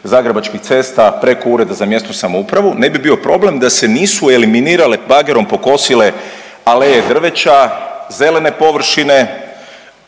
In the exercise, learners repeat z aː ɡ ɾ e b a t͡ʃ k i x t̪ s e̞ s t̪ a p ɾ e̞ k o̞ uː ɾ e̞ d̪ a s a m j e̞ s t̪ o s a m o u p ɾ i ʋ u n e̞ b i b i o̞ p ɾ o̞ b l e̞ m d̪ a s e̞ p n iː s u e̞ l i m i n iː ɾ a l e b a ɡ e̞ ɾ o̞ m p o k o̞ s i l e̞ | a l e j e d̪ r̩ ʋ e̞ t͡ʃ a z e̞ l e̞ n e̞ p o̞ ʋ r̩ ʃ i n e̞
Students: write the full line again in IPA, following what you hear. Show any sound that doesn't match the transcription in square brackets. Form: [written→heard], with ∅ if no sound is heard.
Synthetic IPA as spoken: z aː ɡ ɾ e b a t͡ʃ k i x t̪ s e̞ s t̪ a p ɾ e̞ k o̞ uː ɾ e̞ d̪ a [s→z] a m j e̞ s t̪ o s a m o u p ɾ [i→a] ʋ u n e̞ b i b i o̞ p ɾ o̞ b l e̞ m d̪ a s e̞ [p→∅] n iː s u e̞ l i m i n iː ɾ a l e b a ɡ e̞ ɾ o̞ m p o k o̞ s i l e̞ | a l e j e d̪ r̩ ʋ e̞ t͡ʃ a z e̞ l e̞ n e̞ p o̞ ʋ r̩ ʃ i n e̞